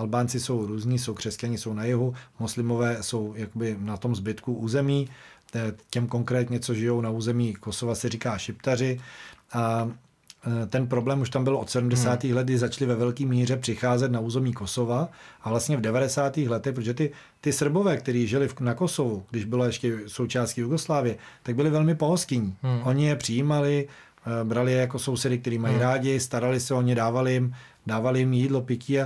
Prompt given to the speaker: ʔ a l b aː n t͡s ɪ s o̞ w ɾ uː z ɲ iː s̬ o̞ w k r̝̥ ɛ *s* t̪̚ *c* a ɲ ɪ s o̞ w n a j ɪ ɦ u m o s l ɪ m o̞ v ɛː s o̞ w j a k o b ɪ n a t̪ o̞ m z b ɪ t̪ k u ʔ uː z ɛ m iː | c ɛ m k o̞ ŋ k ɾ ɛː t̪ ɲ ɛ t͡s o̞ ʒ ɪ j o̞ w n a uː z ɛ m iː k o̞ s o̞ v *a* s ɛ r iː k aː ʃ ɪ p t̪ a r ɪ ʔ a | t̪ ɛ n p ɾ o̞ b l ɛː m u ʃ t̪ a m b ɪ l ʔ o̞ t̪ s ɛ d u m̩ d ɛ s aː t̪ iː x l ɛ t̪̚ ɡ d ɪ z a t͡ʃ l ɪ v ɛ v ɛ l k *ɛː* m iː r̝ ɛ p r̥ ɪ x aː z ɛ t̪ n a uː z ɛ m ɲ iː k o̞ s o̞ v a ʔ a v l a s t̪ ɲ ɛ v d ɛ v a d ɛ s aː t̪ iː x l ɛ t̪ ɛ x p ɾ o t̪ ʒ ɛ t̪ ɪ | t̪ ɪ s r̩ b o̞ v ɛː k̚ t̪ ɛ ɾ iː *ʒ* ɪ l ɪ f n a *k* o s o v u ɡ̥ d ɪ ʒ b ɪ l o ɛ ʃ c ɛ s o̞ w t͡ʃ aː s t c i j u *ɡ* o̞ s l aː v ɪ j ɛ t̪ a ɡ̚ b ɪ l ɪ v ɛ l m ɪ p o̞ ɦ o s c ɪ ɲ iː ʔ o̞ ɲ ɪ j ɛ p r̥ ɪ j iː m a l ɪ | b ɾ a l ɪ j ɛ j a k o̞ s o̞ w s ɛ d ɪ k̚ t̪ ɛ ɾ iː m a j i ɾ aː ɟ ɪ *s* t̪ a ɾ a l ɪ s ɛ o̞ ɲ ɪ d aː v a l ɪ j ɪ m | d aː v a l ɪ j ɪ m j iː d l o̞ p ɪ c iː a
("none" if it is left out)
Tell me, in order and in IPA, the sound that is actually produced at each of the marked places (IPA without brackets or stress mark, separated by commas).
s, c, a, iː, ʒ, k, ɡ, s